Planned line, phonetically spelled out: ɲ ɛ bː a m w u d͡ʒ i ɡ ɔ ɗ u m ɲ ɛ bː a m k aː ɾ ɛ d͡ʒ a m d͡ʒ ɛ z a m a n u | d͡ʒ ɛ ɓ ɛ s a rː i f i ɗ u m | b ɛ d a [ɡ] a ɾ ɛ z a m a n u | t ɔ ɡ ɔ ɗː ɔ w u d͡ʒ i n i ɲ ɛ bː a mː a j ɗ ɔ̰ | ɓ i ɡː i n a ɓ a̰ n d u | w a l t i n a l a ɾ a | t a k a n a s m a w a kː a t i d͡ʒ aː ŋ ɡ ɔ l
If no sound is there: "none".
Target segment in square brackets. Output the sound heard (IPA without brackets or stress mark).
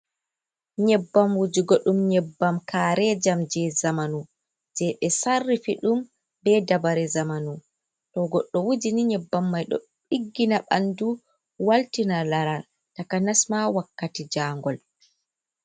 b